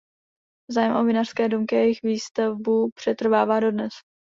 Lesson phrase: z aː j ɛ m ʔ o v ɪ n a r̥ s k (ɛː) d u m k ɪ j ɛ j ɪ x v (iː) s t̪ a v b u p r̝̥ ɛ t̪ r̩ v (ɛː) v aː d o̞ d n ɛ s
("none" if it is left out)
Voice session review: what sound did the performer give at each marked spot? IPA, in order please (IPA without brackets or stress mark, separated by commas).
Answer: ɛː, iː, aː